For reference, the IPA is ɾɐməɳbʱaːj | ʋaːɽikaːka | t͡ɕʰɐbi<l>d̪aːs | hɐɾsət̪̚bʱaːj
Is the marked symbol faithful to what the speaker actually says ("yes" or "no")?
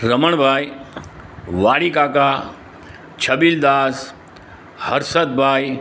yes